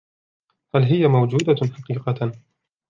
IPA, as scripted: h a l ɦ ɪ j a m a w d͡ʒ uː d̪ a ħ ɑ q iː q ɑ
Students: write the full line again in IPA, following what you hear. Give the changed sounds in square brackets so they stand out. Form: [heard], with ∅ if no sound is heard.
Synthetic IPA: h a l ɦ ɪ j a m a w d͡ʒ uː d̪ a ħ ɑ q iː q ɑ